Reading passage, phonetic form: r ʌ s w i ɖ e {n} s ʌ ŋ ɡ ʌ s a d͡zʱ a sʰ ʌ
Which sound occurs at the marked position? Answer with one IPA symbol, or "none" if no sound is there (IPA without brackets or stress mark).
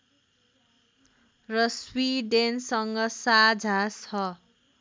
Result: n